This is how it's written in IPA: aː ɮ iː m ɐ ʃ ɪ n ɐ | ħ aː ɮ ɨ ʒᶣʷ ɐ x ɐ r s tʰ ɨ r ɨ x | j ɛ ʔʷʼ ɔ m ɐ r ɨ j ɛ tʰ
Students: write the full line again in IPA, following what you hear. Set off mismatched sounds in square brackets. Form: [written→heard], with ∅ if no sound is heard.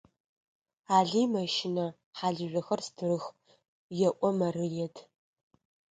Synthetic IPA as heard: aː ɮ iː m ɐ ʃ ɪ n ɐ | ħ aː ɮ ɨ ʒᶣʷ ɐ x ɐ r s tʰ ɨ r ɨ x | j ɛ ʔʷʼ ɔ m ɐ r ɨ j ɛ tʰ